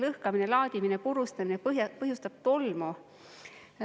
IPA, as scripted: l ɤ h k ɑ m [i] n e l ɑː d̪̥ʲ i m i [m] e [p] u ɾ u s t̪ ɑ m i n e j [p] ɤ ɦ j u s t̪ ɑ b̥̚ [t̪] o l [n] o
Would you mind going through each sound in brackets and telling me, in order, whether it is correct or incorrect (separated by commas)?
correct, incorrect, correct, correct, correct, incorrect